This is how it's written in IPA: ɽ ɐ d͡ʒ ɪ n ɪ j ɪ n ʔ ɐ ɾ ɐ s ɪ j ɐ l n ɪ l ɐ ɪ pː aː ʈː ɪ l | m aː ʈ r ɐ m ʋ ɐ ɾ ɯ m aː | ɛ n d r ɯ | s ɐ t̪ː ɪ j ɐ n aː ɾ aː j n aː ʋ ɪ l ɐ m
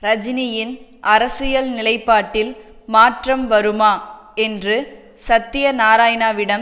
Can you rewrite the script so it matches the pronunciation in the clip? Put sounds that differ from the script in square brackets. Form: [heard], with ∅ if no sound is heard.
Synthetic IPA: [ɾ] ɐ d͡ʒ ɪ n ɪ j ɪ n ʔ ɐ ɾ ɐ s ɪ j ɐ l n ɪ l ɐ ɪ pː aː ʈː ɪ l | m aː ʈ r ɐ m ʋ ɐ ɾ ɯ m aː | ɛ n d r ɯ | s ɐ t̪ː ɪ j ɐ n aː ɾ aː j n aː ʋ ɪ [ɽ] ɐ m